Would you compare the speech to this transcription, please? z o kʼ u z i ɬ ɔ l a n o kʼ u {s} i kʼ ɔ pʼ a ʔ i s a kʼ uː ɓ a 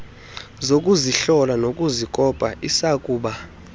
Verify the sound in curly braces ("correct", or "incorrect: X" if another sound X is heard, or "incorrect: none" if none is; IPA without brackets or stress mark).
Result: incorrect: z